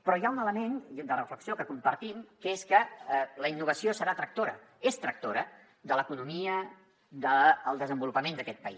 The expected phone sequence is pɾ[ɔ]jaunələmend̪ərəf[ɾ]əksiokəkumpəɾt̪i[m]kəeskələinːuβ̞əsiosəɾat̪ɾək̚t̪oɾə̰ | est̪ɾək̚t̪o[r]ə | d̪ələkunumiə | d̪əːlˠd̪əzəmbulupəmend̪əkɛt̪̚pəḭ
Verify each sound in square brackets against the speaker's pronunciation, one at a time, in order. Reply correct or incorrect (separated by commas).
correct, incorrect, correct, incorrect